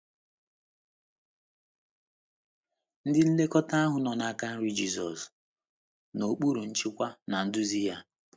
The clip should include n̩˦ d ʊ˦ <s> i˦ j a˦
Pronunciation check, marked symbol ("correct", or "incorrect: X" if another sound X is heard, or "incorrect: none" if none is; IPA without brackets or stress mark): incorrect: z